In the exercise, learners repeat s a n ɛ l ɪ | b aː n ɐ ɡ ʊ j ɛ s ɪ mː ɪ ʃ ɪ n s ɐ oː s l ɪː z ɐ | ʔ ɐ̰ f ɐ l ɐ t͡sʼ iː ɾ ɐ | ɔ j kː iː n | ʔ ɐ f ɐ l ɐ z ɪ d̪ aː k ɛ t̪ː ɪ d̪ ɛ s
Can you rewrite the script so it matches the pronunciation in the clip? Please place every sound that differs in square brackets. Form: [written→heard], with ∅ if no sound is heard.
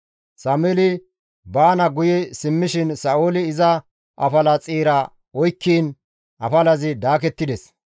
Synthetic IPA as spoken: s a [n→m] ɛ l ɪ | b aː n ɐ ɡ ʊ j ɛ s ɪ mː ɪ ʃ ɪ n s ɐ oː [s→∅] l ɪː z ɐ | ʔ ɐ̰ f ɐ l ɐ t͡sʼ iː ɾ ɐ | ɔ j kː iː n | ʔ ɐ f ɐ l ɐ z ɪ d̪ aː k ɛ t̪ː ɪ d̪ ɛ s